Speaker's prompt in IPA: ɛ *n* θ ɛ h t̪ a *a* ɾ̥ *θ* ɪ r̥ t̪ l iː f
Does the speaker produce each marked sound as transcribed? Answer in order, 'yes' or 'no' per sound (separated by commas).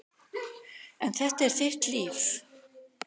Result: yes, no, yes